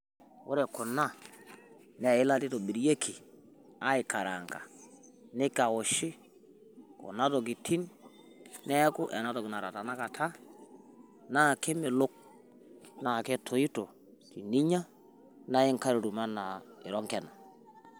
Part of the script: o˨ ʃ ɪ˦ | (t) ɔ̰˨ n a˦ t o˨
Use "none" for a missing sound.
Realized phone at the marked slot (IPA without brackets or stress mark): k